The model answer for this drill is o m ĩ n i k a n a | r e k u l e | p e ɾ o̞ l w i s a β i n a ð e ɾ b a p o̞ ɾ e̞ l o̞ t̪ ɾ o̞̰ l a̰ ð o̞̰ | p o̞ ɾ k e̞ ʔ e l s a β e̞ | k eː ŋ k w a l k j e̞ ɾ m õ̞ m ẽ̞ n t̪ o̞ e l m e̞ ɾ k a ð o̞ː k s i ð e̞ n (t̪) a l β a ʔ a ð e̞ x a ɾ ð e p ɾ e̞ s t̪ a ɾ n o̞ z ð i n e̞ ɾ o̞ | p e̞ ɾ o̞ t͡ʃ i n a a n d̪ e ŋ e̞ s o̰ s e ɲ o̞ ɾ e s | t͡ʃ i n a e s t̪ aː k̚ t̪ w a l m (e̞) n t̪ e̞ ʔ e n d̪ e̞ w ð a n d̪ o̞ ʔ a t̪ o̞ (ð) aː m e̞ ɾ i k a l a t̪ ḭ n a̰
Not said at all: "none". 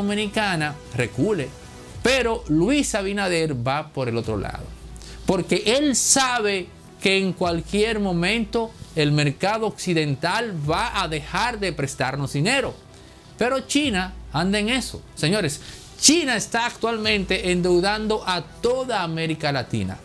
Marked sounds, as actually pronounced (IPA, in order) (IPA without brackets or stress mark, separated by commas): t̪, ẽ̞, ð